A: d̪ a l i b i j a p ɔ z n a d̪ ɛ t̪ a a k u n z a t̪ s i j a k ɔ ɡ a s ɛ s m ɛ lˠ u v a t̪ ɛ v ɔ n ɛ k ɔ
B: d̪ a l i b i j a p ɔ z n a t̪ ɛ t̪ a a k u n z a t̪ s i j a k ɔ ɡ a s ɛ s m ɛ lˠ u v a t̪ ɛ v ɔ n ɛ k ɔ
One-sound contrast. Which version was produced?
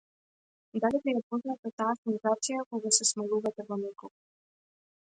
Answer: B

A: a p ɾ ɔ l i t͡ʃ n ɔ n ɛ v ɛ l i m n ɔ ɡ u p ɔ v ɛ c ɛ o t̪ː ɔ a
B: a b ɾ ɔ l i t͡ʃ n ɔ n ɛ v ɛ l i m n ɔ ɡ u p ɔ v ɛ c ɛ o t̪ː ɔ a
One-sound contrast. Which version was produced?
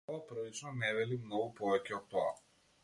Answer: A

